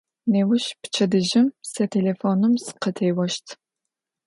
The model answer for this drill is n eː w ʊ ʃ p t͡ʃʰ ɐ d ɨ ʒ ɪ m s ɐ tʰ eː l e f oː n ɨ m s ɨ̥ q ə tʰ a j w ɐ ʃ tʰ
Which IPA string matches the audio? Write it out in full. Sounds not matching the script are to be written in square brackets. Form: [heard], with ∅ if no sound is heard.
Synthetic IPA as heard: n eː w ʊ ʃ p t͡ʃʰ ɐ d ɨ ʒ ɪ m s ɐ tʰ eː l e f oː n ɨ m s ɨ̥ q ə tʰ [e] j w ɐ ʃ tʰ